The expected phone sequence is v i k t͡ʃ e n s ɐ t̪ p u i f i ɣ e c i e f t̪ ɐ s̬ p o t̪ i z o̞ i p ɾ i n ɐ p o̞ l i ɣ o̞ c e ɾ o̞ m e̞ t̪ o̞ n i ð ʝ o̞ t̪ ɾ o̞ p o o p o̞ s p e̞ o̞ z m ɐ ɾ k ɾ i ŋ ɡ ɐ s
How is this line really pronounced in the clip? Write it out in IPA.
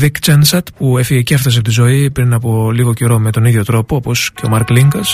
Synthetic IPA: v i k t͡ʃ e n s ɐ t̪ p u e f i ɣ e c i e f t̪ ɐ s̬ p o t̪ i z o̞ i p ɾ i n ɐ p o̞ l i ɣ o̞ c e ɾ o̞ m e̞ t̪ o̞ n i ð ʝ o̞ t̪ ɾ o̞ p o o p o̞ s c e̞ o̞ m ɐ ɾ k l i ŋ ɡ ɐ s